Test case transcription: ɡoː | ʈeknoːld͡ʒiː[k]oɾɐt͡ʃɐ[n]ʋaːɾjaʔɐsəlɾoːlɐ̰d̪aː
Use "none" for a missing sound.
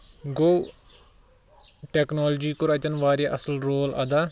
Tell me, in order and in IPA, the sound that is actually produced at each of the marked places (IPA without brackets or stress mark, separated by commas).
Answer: k, n